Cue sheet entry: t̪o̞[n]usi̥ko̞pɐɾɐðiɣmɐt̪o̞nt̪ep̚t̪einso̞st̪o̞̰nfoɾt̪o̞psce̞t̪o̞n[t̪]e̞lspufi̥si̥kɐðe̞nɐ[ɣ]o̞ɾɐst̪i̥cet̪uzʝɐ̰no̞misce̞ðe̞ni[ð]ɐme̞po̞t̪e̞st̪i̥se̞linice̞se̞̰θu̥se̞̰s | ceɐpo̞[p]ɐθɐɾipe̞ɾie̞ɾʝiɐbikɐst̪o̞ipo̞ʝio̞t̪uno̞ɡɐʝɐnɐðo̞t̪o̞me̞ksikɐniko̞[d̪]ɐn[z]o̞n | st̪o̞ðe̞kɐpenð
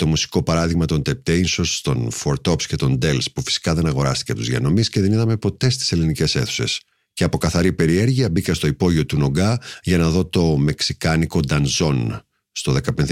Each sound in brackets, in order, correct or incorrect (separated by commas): incorrect, incorrect, correct, correct, incorrect, correct, correct